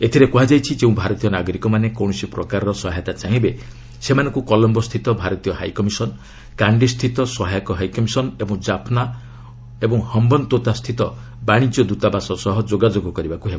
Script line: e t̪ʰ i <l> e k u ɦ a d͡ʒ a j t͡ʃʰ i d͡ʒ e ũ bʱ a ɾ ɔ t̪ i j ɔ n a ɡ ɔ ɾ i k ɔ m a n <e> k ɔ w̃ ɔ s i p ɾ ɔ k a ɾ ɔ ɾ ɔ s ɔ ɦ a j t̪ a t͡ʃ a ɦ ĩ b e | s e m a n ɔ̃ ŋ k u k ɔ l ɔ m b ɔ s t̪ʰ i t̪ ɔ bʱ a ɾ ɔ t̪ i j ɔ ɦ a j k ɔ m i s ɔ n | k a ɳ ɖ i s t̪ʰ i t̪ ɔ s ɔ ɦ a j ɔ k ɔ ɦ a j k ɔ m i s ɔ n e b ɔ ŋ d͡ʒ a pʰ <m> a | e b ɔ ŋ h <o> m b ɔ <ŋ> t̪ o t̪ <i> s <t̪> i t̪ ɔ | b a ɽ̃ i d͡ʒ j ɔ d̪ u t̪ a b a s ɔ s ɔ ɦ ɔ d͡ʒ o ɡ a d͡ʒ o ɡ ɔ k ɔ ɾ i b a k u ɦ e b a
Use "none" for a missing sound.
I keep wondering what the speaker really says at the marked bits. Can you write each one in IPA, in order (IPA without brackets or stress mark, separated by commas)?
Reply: ɾ, e, n, ɔ, n, a, t̪ʰ